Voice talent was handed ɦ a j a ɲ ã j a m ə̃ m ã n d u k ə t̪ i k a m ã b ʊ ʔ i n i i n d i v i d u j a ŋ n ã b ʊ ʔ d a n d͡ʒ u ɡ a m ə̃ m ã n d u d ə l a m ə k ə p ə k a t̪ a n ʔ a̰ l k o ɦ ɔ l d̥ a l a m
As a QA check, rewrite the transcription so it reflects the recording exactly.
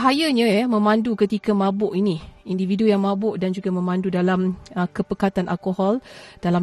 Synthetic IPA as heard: ɦ a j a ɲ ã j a m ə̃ m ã n d u k ə t̪ i k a m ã b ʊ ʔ i n i i n d i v i d u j a ŋ m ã b ʊ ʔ d a n d͡ʒ u ɡ a m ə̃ m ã n d u d a l a m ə k ə p ə k a t̪ a n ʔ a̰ l k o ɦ ɔ l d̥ a l a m